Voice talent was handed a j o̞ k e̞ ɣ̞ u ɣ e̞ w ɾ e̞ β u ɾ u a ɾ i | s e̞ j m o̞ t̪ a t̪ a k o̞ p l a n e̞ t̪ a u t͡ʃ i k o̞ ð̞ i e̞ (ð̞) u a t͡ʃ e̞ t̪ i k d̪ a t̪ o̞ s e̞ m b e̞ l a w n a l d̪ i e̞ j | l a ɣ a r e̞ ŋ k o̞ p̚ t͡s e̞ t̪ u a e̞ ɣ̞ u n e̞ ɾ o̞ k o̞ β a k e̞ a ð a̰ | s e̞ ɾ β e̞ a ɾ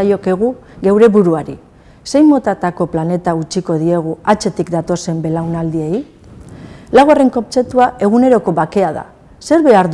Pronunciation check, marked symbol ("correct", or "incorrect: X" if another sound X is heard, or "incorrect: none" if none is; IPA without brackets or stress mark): incorrect: ɣ̞